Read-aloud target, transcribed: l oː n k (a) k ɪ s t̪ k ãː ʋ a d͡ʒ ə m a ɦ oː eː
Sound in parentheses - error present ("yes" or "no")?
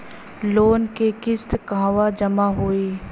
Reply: yes